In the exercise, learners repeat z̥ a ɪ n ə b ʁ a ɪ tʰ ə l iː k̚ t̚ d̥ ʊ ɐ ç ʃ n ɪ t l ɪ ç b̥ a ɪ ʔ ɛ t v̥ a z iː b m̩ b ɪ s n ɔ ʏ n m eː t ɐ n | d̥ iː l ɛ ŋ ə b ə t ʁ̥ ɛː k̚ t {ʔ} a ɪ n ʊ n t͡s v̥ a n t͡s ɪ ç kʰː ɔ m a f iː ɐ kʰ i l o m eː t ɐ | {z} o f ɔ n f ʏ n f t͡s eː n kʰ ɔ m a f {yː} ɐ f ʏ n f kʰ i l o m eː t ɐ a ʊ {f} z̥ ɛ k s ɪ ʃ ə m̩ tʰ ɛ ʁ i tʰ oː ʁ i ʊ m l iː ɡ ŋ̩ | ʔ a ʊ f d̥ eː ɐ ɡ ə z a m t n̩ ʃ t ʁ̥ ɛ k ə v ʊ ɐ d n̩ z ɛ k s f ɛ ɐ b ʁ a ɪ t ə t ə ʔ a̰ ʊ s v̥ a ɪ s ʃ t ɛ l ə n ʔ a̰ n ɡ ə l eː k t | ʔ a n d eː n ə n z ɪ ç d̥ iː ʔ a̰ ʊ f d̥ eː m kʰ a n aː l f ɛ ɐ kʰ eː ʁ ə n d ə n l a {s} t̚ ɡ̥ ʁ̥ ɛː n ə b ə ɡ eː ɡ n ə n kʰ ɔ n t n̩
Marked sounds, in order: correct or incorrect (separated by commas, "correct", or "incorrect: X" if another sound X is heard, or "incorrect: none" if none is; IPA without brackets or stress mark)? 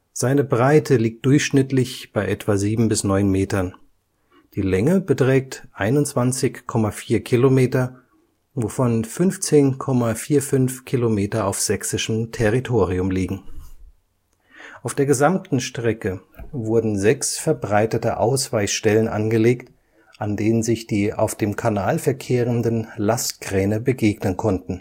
correct, incorrect: v, incorrect: iː, correct, correct